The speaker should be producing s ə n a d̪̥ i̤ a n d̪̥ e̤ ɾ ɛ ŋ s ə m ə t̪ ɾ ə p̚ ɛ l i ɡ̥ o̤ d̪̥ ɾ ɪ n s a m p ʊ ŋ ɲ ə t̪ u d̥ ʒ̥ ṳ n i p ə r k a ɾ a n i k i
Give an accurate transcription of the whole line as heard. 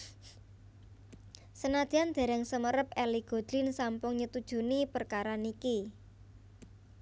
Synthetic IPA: s ə n a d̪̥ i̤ a n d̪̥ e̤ ɾ ɛ ŋ s ə m ə ɾ ə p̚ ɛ l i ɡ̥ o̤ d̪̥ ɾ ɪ n s a m p ʊ ŋ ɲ ə t̪ u d̥ ʒ̥ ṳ n i p ə r k a ɾ a n i k i